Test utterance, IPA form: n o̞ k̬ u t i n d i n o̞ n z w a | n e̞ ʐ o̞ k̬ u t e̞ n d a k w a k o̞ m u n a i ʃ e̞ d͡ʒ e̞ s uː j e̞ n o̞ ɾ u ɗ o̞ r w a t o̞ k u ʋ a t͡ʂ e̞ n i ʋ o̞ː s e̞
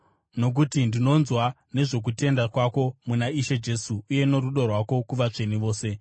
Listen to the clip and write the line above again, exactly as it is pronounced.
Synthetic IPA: n o̞ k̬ u t i n d i n o̞ n z w a | n e̞ ʐ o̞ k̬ u t e̞ n d a k w a k o̞ m u n a i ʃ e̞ d͡ʒ e̞ s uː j e̞ n o̞ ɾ u ɗ o̞ r w a k o̞ k u ʋ a t͡ʂ e̞ n i ʋ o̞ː s e̞